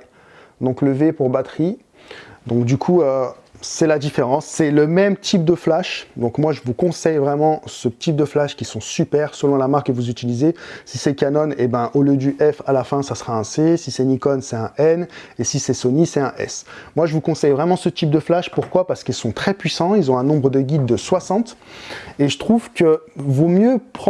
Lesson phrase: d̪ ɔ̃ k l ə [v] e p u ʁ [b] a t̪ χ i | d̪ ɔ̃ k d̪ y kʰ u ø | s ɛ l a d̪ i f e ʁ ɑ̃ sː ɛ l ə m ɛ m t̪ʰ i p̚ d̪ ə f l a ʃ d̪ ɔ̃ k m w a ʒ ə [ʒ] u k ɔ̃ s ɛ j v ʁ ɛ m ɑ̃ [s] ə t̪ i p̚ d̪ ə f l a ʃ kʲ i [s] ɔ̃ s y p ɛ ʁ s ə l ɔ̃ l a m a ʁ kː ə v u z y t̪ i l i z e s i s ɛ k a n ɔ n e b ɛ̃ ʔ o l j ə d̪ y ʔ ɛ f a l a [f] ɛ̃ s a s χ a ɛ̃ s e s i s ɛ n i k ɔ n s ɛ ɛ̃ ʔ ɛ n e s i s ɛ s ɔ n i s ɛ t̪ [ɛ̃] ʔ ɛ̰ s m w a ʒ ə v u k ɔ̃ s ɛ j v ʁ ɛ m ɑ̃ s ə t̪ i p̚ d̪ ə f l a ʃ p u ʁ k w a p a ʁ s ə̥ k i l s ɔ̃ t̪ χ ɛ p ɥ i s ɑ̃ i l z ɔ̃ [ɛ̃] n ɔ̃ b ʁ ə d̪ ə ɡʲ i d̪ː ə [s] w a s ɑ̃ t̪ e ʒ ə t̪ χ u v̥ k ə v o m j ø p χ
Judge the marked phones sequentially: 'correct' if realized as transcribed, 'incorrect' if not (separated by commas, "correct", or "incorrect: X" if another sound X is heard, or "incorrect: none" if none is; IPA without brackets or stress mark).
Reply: correct, correct, incorrect: v, correct, correct, correct, correct, correct, correct